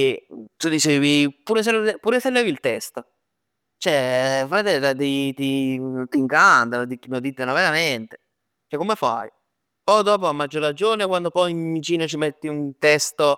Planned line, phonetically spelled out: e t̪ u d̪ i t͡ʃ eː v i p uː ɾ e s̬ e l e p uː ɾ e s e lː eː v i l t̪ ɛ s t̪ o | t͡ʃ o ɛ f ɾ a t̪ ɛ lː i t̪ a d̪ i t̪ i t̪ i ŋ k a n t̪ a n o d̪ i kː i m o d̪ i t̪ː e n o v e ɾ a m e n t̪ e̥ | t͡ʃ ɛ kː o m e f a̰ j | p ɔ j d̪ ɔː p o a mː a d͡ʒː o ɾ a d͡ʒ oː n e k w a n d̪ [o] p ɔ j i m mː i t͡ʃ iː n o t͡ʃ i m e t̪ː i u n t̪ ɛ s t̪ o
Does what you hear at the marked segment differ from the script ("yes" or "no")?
no